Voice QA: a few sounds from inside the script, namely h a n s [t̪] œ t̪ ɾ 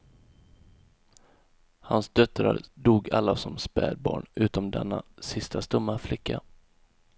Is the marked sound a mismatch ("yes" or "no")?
yes